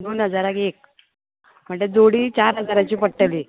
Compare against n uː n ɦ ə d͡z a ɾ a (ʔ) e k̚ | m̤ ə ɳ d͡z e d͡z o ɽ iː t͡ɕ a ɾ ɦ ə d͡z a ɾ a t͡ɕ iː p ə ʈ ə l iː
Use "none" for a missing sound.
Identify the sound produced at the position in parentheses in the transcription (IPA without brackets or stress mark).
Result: k